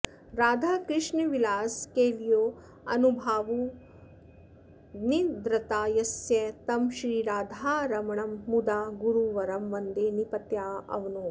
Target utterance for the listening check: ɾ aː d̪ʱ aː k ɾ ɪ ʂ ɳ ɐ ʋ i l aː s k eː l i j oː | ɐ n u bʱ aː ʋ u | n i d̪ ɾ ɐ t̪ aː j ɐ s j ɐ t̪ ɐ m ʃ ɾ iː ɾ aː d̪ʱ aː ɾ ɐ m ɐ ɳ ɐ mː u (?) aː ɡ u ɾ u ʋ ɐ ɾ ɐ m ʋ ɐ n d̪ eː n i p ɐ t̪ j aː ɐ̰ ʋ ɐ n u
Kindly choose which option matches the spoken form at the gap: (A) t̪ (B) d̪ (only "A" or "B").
B